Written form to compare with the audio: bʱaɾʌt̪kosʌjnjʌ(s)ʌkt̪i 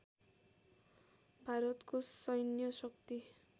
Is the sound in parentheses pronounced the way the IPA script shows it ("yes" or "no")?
yes